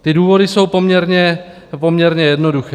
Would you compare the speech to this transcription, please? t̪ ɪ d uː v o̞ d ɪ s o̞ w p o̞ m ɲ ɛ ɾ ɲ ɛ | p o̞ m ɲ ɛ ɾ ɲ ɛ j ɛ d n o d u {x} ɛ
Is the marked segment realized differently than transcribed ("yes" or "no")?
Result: no